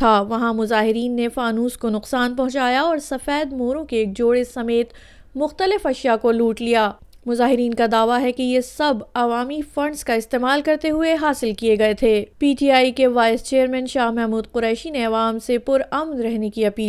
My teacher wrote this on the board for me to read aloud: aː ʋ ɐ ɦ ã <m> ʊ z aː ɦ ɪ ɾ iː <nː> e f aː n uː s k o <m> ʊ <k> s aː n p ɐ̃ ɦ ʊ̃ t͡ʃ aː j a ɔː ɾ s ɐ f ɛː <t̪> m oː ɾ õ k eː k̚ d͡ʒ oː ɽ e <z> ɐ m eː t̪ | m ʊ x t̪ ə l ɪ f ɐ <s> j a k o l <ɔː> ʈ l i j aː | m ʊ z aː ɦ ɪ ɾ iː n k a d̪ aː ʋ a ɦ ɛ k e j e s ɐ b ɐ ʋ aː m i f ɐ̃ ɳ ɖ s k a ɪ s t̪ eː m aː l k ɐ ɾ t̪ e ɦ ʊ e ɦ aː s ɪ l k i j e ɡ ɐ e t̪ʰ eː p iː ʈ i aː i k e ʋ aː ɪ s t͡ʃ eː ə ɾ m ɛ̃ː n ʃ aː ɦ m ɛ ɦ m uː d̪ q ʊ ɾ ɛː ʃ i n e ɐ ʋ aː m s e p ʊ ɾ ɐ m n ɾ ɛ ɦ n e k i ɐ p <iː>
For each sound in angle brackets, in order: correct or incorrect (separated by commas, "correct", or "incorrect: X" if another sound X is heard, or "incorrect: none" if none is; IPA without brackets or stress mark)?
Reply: correct, correct, incorrect: n, incorrect: q, incorrect: d̪, incorrect: s, incorrect: ʃ, incorrect: uː, correct